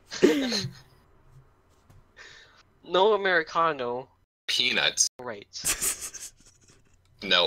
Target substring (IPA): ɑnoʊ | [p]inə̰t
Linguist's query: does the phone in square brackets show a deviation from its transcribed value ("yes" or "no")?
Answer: yes